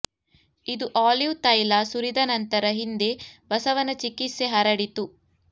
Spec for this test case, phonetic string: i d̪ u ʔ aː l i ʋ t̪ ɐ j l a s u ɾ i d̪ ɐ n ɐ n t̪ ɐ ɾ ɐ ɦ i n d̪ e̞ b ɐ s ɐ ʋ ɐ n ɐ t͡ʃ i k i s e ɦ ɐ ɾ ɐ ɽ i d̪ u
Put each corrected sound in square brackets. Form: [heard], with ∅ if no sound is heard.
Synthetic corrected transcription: i d̪ u ʔ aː l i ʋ t̪ ɐ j l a s u ɾ i d̪ ɐ n ɐ n t̪ ɐ ɾ ɐ ɦ i n d̪ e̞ b ɐ s ɐ ʋ ɐ n ɐ t͡ʃ i k i s e ɦ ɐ ɾ ɐ ɽ i [t̪] u